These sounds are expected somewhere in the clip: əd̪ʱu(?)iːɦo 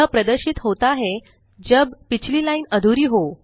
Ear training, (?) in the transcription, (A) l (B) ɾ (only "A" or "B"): B